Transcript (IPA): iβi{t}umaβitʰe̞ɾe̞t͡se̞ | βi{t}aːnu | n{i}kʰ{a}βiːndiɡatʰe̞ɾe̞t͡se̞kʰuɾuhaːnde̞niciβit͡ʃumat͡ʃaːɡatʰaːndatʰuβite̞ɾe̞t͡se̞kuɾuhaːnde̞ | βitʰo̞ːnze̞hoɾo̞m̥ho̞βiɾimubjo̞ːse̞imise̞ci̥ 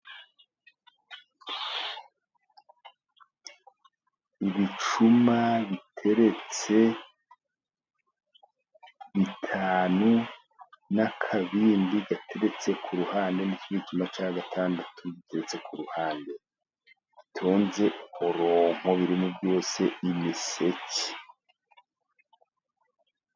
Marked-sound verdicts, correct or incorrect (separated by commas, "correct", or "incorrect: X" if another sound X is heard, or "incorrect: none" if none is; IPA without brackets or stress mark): incorrect: t͡ʃ, incorrect: tʰ, incorrect: a, correct